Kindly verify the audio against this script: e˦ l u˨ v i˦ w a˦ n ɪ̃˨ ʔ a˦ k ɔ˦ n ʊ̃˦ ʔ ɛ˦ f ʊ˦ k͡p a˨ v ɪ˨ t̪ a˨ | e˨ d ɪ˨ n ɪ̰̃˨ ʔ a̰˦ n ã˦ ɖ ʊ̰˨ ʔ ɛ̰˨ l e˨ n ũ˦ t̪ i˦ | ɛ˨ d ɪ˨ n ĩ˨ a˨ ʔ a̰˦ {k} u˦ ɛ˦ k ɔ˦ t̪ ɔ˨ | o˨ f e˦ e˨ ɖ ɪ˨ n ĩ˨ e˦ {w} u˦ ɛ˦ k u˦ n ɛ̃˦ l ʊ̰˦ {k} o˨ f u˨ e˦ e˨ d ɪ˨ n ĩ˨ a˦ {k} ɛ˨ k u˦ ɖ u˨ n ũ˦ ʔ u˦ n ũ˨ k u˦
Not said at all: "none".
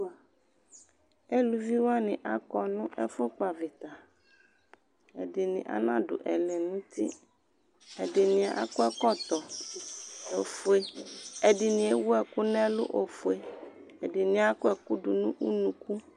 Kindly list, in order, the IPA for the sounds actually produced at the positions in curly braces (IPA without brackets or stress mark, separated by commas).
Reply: k, w, ʔ, k